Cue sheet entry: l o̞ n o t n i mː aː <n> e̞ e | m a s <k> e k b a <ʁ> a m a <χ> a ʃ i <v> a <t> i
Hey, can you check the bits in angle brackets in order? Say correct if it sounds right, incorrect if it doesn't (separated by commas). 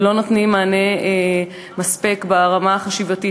correct, incorrect, correct, correct, correct, correct